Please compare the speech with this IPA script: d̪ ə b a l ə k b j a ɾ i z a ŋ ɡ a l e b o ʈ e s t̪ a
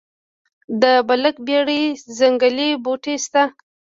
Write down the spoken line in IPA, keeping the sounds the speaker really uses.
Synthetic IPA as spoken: d̪ ə b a l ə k b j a ɽ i z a ŋ ɡ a l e b o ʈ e s t̪ a